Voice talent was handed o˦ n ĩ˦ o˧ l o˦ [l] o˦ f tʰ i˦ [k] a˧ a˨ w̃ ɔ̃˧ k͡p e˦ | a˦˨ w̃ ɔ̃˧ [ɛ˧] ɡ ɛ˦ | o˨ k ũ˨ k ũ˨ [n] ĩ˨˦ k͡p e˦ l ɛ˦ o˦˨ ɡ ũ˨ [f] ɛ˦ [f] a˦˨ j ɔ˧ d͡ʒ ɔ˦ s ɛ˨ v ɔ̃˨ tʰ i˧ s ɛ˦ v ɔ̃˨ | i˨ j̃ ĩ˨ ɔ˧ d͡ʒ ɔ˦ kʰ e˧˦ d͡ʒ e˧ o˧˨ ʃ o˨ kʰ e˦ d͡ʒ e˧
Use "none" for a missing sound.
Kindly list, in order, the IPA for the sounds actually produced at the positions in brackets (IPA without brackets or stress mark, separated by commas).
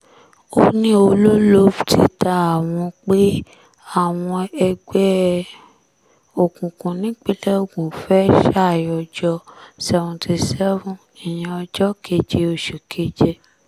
l, t, ɛ˧, n, f, ʃ